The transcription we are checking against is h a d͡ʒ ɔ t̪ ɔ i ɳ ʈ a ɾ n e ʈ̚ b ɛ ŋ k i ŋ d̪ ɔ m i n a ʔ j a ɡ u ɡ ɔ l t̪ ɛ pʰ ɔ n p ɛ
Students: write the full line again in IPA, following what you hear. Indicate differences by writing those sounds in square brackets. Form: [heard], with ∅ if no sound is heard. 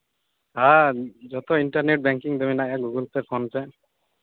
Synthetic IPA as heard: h a d͡ʒ ɔ t̪ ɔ i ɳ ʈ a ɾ n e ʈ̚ b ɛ ŋ k i ŋ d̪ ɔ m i n a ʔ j a ɡ u ɡ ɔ l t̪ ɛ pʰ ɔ n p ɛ